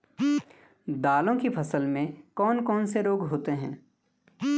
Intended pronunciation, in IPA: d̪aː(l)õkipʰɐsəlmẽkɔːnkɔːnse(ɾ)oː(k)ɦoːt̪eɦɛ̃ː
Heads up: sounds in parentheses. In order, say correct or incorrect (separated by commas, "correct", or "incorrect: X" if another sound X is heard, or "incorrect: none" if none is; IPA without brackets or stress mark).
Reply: correct, correct, incorrect: ɡ